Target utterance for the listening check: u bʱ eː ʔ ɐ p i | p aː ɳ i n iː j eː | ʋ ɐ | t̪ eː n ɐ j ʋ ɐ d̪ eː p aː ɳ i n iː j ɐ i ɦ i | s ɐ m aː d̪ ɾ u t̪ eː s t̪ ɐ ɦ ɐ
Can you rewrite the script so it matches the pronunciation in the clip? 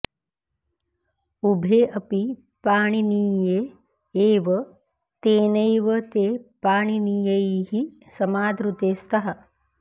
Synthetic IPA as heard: u bʱ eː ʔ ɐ p i | p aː ɳ i n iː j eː | ʋ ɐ | t̪ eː n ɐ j ʋ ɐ t̪ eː p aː ɳ i n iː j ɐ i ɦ i | s ɐ m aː d̪ ɾ u t̪ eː s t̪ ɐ ɦ ɐ